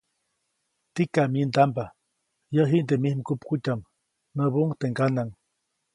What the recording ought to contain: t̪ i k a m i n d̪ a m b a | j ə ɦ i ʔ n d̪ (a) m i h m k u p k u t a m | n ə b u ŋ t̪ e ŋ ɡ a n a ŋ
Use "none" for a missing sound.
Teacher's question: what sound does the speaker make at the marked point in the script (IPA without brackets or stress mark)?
e